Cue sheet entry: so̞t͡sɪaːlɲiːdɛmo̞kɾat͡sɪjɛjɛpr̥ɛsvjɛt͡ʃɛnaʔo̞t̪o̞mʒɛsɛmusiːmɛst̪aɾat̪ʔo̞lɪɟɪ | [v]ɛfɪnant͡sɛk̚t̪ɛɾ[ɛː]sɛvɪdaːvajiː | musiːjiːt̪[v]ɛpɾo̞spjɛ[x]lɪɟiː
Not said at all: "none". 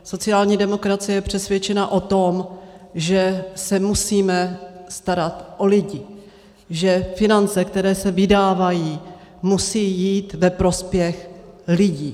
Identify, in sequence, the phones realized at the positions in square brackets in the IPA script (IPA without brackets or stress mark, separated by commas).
ʒ, ɛː, v, x